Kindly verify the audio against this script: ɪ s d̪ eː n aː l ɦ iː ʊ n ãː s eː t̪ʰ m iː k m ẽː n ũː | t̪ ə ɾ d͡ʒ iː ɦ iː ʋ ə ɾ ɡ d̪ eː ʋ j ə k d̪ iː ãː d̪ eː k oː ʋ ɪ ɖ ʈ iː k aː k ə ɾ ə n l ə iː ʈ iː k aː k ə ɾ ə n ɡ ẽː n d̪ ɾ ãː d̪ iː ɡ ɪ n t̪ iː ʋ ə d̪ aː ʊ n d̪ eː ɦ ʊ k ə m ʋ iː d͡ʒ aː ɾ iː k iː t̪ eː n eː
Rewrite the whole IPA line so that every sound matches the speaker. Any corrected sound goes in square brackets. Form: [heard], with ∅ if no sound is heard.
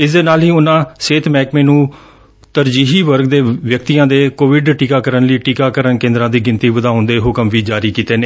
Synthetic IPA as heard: ɪ s d̪ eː n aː l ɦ iː ʊ n ãː s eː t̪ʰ m [ɛː] k m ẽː n ũː | t̪ ə ɾ d͡ʒ iː ɦ iː ʋ ə ɾ ɡ d̪ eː ʋ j ə k [t̪] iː ãː d̪ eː k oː ʋ ɪ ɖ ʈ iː k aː k ə ɾ ə n l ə iː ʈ iː k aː k ə ɾ ə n [k] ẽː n d̪ ɾ ãː d̪ iː ɡ ɪ n t̪ iː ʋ ə d̪ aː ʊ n d̪ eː ɦ ʊ k ə m ʋ iː d͡ʒ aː ɾ iː k iː t̪ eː n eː